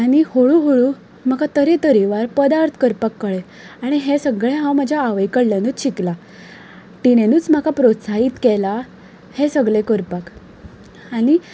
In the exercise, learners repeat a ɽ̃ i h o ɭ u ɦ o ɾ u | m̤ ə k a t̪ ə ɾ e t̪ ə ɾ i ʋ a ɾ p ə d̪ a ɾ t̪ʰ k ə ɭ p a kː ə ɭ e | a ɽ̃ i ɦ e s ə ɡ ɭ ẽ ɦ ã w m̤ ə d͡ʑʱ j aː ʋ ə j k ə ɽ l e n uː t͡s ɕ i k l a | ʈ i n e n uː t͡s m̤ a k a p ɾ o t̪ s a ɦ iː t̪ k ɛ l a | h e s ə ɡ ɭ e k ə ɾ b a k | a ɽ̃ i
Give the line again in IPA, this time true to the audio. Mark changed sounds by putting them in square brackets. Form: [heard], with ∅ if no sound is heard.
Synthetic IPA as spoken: a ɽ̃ i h o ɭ u ɦ o [ɭ] u | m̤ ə k a t̪ ə ɾ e t̪ ə ɾ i ʋ a ɾ p ə d̪ a ɾ t̪ʰ k ə [ɾ] p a kː ə ɭ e | a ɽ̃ i ɦ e s ə ɡ ɭ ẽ ɦ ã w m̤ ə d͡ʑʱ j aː ʋ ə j k ə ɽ l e n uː t͡s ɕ i k l a | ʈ i n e n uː t͡s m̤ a k a p ɾ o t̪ s a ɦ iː t̪ k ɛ l a | h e s ə ɡ ɭ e k ə ɾ [p] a k | a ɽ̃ i

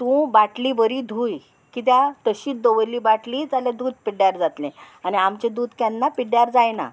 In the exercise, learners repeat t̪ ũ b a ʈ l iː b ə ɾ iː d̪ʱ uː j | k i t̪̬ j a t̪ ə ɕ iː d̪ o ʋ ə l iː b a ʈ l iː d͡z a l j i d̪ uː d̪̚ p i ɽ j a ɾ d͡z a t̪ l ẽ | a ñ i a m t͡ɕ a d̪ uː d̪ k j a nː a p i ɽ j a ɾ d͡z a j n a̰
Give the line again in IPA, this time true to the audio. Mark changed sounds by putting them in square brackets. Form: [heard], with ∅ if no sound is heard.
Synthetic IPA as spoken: t̪ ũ b a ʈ l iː b ə ɾ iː d̪ʱ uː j | k i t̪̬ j a t̪ ə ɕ iː d̪ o ʋ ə l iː b a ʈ l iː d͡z a l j [a] d̪ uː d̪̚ p i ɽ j a ɾ d͡z a t̪ l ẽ | a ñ i a m t͡ɕ [e] d̪ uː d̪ k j a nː a p i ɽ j a ɾ d͡z a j n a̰

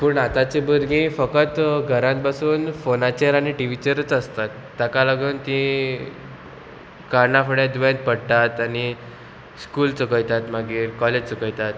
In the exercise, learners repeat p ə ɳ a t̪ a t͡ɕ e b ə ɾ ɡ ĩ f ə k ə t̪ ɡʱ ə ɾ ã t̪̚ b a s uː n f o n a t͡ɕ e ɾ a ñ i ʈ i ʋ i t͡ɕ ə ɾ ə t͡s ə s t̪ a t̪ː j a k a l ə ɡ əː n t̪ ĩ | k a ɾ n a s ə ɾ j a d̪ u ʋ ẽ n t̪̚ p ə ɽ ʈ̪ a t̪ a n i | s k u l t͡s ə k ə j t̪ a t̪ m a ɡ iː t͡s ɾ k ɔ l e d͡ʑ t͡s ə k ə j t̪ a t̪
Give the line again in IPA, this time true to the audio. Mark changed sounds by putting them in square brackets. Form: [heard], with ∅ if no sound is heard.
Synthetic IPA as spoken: p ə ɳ a t̪ a t͡ɕ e b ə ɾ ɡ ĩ f ə k ə t̪ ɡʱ ə ɾ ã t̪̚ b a s uː n f o n a t͡ɕ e ɾ a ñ i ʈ i ʋ i t͡ɕ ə ɾ ə t͡s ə s t̪ a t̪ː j a k a l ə ɡ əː n t̪ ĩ | k a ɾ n a [f] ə [ɽ] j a d̪ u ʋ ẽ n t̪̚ p ə ɽ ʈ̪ a t̪ a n i | s k u l t͡s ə k ə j t̪ a t̪ m a ɡ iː [∅] ɾ k ɔ l e d͡ʑ t͡s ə k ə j t̪ a t̪

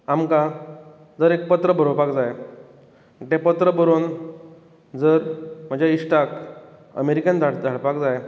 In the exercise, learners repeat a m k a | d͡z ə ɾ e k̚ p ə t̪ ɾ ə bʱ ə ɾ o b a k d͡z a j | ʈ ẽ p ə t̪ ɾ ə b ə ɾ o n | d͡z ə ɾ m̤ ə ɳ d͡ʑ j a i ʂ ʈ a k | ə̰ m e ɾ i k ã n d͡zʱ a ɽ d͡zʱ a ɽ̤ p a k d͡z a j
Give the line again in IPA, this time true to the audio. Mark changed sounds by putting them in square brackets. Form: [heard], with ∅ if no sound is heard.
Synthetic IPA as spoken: a m k a | d͡z ə ɾ e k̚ p ə t̪ ɾ ə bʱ ə ɾ o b a k d͡z a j | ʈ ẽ p ə t̪ ɾ ə b ə ɾ o n | d͡z ə ɾ m̤ ə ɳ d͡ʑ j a i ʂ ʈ a k | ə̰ m e ɾ i k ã n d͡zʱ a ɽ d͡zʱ a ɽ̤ p a k d͡z a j

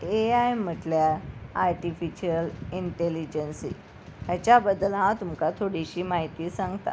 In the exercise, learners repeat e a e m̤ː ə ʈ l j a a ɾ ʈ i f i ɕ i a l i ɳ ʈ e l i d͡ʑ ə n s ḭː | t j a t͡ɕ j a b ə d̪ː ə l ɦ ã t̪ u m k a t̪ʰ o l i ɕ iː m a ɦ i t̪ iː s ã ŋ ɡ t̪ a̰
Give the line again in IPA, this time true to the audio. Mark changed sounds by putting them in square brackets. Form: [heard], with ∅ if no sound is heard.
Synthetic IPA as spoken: e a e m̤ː ə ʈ l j a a ɾ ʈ i f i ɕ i [ə] l i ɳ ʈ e l i d͡ʑ ə n s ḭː | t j a t͡ɕ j a b ə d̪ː ə l ɦ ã t̪ u m k a t̪ʰ o [ɽ] i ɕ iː m a ɦ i t̪ iː s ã ŋ ɡ t̪ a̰

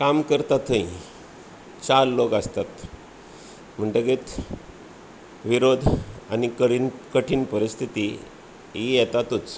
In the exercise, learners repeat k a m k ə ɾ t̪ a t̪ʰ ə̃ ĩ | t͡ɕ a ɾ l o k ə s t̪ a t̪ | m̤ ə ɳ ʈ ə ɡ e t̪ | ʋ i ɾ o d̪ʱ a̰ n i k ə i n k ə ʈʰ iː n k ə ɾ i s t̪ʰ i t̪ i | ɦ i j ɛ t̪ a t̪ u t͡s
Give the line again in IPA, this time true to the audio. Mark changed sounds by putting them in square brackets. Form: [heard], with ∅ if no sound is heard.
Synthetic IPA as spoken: k a m k ə ɾ t̪ a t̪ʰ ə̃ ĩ | t͡ɕ a ɾ l o k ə s t̪ a t̪ | m̤ ə ɳ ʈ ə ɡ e t̪ | ʋ i ɾ o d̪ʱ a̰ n i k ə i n k ə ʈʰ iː n [p] ə ɾ i s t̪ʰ i t̪ i | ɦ i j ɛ t̪ a t̪ u t͡s

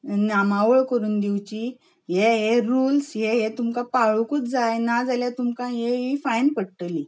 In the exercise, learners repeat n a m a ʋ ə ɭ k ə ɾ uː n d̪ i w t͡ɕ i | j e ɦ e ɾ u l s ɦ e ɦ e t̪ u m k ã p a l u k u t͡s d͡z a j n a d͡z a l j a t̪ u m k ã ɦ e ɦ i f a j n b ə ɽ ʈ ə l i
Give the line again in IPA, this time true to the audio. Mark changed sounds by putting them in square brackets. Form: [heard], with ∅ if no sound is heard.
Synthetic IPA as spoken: n a m a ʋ ə ɭ k ə ɾ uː n d̪ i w t͡ɕ i | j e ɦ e ɾ u l s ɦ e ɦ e t̪ u m k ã p a [ɭ] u k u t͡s d͡z a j n a d͡z a l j a t̪ u m k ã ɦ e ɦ i f a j n [p] ə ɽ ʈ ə l i

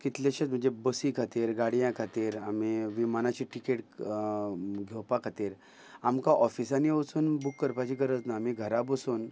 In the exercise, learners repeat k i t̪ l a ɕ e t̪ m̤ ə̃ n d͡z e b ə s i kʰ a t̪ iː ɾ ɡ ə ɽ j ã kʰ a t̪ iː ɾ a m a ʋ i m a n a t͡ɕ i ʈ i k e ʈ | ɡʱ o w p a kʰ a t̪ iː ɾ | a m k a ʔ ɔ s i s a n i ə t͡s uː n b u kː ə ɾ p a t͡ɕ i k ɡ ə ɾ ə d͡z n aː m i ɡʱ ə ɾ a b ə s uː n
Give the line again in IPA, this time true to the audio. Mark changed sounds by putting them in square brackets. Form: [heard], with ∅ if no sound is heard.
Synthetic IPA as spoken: k i t̪ l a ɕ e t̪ m̤ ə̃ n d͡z e b ə s i kʰ a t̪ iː ɾ ɡ [a] ɽ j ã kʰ a t̪ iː ɾ a m [i] ʋ i m a n a t͡ɕ i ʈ i k e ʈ | ɡʱ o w p a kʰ a t̪ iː ɾ | a m k a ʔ ɔ [f] i s a n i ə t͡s uː n b u kː ə ɾ p a t͡ɕ i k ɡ ə ɾ ə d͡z n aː m i ɡʱ ə ɾ a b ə s uː n

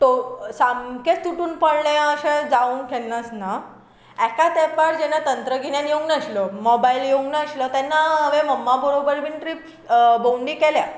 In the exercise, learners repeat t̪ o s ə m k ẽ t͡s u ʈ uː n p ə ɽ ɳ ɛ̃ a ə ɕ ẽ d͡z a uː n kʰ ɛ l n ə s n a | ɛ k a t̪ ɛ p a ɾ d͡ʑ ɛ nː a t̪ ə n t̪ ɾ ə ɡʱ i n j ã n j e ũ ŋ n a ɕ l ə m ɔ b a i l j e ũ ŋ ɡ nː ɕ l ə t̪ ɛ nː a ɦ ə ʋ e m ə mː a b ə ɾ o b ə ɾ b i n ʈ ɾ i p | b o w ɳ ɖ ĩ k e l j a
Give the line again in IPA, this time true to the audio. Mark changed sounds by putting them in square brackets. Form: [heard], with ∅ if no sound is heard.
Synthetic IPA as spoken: t̪ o s [a] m k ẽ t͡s u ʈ uː n p ə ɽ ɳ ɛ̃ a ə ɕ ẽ d͡z a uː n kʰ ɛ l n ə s n a | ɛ k a t̪ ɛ p a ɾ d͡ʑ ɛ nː a t̪ ə n t̪ ɾ ə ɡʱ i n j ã n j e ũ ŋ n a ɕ l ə m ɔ b a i l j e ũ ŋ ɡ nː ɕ l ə t̪ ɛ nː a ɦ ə ʋ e m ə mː a b ə ɾ o b ə ɾ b i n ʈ ɾ i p | b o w ɳ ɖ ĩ k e l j a

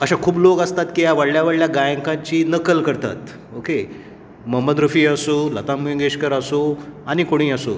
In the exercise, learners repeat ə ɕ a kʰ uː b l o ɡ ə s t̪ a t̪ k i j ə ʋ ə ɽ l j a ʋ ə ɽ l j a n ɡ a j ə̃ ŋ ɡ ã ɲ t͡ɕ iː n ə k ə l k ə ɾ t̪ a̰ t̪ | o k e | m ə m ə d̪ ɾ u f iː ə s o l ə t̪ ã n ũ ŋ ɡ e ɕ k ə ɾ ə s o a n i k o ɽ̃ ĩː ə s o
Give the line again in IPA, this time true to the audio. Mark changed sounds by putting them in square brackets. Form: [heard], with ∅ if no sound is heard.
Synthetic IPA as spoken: ə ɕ a kʰ uː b l o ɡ ə s t̪ a t̪ k i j [a] ʋ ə ɽ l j a ʋ ə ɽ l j a [∅] ɡ a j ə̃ ŋ [k] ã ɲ t͡ɕ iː n ə k ə l k ə ɾ t̪ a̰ t̪ | o k e | m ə m ə d̪ ɾ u f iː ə s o l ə t̪ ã [m] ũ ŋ ɡ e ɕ k ə ɾ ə s o a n i k o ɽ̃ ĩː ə s o

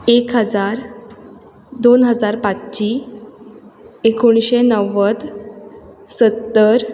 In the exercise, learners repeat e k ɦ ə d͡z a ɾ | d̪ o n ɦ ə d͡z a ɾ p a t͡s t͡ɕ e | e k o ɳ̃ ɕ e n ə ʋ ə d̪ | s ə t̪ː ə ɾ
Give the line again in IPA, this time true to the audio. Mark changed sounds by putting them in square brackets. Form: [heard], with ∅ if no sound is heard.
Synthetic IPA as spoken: e k ɦ ə d͡z a ɾ | d̪ o n ɦ ə d͡z a ɾ p a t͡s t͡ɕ [i] | e k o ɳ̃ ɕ e n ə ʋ ə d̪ | s ə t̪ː ə ɾ

